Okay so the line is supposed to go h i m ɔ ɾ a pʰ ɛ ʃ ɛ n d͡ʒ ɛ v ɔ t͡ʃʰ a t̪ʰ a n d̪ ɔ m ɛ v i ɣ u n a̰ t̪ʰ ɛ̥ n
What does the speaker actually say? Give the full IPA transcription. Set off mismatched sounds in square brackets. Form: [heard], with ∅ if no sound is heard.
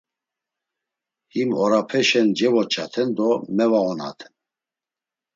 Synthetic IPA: h i m ɔ ɾ a pʰ ɛ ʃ ɛ n d͡ʒ ɛ v ɔ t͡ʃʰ a t̪ʰ [ɛ] n d̪ ɔ m ɛ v [a] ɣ [ɔ] n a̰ t̪ʰ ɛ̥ n

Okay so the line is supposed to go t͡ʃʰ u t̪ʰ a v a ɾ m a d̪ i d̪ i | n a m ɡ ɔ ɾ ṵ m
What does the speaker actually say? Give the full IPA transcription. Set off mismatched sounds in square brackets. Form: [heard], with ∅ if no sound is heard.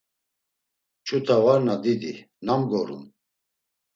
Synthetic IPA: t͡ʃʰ u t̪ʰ a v a ɾ [n] a d̪ i d̪ i | n a m ɡ ɔ ɾ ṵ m

